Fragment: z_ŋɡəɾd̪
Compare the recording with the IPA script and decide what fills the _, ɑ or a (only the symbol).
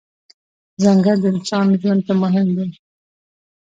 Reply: a